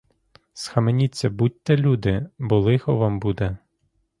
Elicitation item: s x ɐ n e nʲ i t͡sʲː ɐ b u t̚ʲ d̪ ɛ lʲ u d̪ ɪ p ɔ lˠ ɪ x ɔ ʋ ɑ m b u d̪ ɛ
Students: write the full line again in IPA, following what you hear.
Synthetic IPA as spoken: s x ɐ m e nʲ i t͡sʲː ɐ b u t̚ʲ t̪ ɛ lʲ u d̪ ɪ b ɔ lˠ ɪ x ɔ ʋ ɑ m b u d̪ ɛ